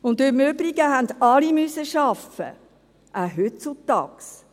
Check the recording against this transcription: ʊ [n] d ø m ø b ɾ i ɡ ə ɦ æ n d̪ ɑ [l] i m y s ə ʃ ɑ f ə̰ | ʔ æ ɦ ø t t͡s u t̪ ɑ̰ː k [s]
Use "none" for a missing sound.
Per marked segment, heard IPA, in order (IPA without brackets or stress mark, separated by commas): n, l, s